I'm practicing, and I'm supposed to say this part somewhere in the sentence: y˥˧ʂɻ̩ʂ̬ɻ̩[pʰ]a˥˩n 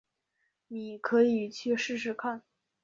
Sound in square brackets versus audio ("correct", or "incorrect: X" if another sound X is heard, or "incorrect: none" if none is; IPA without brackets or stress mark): incorrect: kʰ